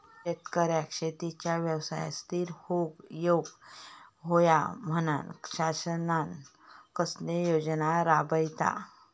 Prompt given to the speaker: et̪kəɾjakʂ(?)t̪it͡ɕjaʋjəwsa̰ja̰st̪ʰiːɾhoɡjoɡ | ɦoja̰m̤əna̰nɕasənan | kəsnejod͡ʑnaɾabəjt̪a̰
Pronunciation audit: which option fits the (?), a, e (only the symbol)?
e